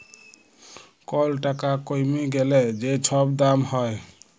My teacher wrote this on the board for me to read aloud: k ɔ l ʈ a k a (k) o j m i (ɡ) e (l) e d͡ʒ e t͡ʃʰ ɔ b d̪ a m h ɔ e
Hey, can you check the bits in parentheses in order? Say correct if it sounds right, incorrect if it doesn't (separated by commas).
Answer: correct, correct, correct